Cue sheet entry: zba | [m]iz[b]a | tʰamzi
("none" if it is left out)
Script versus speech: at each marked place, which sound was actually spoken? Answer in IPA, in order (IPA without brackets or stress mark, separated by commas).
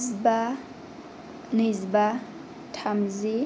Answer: n, b